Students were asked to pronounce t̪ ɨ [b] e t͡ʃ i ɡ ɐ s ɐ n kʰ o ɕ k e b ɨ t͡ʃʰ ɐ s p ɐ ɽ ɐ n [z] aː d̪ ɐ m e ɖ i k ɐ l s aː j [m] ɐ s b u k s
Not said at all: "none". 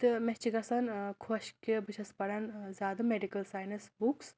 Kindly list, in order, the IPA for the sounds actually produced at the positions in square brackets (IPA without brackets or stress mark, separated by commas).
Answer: m, z, n